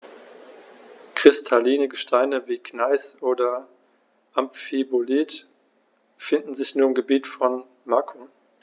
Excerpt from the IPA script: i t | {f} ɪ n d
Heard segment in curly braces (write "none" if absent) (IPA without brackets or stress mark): f